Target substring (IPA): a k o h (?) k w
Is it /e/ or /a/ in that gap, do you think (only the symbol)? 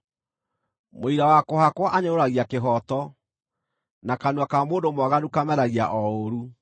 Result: a